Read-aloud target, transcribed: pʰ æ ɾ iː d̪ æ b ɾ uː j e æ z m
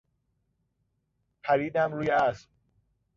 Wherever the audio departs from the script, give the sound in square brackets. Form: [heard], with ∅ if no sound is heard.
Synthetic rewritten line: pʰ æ ɾ iː d̪ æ [m] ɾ uː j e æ [s] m